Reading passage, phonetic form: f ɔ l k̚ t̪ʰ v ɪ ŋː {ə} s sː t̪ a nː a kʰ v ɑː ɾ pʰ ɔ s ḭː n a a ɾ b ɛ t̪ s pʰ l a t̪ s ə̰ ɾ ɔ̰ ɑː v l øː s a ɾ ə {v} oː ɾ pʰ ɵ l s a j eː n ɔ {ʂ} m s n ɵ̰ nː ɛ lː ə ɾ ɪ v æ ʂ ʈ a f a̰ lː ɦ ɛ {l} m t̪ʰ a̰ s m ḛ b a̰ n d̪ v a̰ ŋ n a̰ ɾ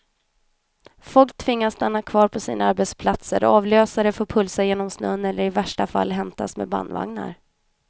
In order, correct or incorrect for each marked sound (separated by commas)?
incorrect, incorrect, incorrect, incorrect